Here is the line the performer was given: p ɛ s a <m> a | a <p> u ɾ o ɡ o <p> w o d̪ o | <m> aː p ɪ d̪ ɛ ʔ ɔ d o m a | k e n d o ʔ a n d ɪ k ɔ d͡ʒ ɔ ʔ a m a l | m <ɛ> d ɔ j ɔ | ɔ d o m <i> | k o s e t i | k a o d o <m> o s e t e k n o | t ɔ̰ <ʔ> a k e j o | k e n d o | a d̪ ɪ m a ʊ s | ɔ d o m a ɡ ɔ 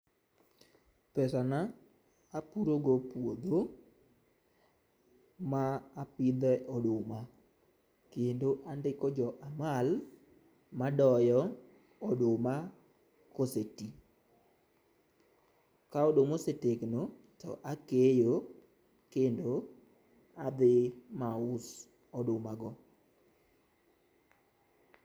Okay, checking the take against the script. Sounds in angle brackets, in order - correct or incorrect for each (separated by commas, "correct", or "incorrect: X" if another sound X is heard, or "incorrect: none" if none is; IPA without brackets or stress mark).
incorrect: n, correct, correct, correct, incorrect: a, incorrect: a, correct, correct